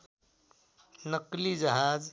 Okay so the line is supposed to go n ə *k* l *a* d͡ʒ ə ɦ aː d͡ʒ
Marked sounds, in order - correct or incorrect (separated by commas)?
correct, incorrect